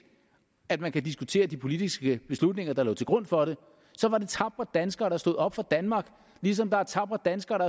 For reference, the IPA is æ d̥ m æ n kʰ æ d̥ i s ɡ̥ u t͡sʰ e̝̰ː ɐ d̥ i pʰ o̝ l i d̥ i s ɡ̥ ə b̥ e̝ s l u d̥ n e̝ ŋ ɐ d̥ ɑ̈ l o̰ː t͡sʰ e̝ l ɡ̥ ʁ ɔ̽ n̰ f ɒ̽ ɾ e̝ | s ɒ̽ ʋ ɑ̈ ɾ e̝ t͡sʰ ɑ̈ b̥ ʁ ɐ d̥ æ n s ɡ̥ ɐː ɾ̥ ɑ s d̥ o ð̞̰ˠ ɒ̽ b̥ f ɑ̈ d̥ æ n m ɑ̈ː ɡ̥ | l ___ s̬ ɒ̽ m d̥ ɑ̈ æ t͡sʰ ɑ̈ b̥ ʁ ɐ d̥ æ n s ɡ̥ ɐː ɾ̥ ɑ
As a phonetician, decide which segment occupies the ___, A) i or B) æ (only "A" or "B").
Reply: A